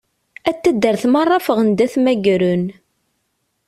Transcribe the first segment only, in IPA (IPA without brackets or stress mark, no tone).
æ